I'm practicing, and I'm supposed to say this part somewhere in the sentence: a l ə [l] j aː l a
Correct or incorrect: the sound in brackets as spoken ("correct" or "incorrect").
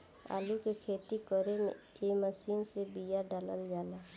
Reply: correct